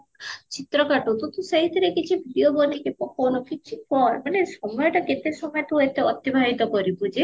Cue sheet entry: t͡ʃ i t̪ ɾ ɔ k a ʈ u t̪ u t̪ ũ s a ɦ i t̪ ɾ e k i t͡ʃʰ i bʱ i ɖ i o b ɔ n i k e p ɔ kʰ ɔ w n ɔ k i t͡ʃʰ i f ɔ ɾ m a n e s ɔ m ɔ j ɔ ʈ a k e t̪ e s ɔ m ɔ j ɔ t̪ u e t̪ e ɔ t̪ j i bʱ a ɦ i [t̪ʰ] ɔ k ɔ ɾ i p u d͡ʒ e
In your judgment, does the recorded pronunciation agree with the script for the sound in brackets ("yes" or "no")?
no